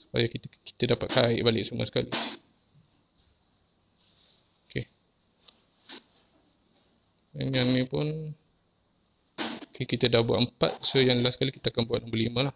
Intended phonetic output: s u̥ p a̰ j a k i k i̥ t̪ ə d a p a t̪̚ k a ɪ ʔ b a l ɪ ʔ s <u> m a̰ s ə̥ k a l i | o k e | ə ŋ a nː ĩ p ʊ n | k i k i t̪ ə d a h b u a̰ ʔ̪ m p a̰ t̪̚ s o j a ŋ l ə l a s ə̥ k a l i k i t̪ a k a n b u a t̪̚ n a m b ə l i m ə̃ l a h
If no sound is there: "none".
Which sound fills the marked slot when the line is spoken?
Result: u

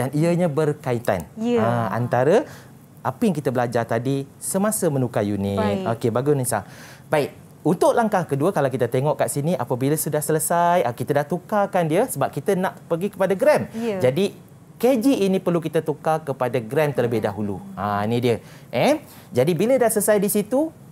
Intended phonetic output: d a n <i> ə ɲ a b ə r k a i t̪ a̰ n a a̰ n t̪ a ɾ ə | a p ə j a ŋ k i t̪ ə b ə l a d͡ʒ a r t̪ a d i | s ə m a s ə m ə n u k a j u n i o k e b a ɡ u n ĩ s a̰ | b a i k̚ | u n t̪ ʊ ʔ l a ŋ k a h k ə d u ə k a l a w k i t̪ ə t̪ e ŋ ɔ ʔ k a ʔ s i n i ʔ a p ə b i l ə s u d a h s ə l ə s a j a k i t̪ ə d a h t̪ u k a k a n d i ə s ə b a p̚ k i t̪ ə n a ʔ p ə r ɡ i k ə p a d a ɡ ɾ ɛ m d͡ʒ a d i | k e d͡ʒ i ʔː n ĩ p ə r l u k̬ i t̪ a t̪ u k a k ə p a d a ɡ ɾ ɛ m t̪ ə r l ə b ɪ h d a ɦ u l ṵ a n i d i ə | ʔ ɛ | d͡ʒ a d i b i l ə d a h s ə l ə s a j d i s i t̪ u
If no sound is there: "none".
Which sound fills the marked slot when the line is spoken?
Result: i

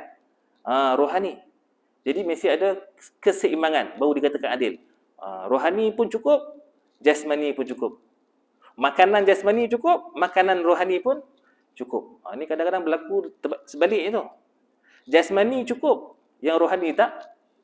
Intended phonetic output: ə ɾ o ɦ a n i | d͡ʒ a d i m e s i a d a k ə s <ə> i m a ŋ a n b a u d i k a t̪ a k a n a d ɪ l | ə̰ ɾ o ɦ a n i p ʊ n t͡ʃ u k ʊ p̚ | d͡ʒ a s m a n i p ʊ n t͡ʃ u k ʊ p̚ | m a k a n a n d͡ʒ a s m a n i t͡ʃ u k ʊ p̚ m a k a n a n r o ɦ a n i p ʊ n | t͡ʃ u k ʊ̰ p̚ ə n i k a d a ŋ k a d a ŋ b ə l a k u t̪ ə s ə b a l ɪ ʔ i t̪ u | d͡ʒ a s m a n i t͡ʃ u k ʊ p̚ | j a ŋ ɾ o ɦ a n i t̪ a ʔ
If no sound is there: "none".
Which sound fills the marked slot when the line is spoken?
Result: ə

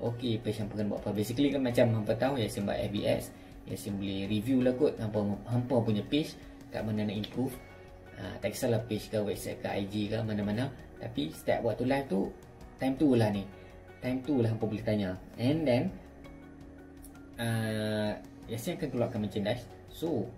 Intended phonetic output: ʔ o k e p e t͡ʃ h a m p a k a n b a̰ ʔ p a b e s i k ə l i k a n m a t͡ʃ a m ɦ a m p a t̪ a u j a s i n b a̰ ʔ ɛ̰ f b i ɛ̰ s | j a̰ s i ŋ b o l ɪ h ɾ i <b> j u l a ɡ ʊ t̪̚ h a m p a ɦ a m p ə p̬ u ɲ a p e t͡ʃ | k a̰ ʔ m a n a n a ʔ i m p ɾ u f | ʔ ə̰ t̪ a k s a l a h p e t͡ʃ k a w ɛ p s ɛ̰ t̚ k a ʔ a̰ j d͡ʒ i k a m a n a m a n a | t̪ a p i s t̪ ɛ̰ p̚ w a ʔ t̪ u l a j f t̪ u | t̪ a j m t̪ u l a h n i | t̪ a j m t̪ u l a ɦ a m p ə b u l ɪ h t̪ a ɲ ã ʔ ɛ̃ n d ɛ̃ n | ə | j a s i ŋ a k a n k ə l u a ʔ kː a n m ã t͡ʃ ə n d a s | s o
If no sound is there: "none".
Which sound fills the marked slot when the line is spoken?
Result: v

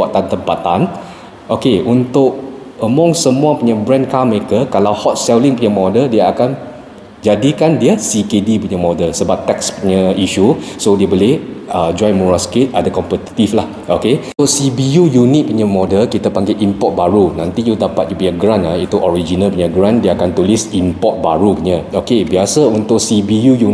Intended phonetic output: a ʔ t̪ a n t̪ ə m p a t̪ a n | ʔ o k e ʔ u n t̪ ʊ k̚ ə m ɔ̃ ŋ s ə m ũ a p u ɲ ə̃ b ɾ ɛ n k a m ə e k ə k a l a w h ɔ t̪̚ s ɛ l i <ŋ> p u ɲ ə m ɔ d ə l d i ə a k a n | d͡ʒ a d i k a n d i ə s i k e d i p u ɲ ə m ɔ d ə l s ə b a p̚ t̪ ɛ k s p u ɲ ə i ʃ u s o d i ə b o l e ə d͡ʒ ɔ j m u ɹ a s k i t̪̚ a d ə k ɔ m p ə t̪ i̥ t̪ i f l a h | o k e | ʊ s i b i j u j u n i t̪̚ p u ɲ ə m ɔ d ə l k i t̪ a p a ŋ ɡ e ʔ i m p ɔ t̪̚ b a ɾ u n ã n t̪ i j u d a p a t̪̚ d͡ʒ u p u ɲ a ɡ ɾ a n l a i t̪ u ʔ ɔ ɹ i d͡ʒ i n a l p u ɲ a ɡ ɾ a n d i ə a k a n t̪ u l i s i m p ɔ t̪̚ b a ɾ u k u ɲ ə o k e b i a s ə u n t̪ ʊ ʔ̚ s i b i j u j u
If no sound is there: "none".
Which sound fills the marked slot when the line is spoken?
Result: ŋ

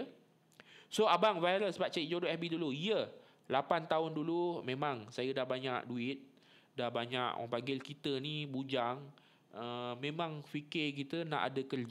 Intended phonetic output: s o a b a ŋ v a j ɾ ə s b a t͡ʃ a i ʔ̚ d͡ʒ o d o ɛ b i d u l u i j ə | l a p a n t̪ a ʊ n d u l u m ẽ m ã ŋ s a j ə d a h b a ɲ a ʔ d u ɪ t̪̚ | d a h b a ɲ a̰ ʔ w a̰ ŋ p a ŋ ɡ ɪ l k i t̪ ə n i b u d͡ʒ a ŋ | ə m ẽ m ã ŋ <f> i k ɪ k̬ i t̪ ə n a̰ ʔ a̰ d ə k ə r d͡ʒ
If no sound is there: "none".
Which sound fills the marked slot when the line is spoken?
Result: f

